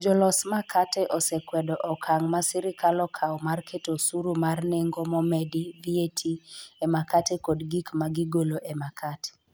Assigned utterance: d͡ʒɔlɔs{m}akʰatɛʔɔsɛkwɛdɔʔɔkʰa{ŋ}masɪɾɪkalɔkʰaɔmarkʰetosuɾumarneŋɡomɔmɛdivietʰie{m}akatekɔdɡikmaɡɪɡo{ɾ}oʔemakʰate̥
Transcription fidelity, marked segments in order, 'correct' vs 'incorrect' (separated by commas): correct, correct, correct, incorrect